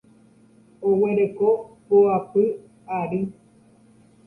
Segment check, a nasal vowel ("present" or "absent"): absent